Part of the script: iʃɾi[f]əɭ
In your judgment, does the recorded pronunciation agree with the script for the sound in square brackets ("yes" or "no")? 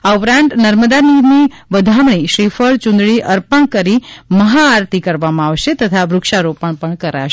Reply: yes